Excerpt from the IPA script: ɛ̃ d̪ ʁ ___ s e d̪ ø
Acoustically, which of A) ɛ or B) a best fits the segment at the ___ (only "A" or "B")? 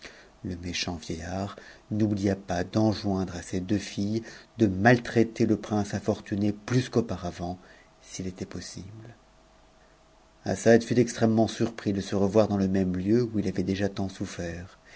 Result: B